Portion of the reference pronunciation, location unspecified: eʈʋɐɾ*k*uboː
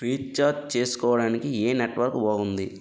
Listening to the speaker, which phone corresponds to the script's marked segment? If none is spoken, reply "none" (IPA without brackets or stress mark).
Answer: k